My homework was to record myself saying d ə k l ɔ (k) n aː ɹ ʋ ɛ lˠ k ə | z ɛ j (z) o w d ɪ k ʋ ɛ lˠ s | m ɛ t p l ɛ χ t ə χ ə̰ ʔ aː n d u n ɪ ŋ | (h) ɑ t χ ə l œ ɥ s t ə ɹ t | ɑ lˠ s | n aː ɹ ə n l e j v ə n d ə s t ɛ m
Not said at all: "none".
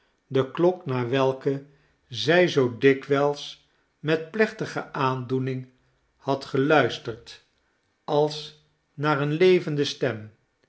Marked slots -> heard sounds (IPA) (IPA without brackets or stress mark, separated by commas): k, z, h